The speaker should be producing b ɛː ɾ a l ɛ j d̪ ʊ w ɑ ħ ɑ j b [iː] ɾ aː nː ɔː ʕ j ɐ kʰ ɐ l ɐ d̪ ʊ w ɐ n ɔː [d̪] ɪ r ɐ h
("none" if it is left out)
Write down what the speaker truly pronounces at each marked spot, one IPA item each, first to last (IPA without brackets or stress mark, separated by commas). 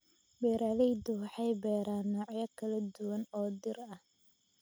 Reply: ɛː, d̪